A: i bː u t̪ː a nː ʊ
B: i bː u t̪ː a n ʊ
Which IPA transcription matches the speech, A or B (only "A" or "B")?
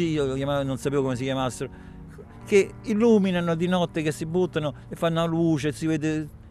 B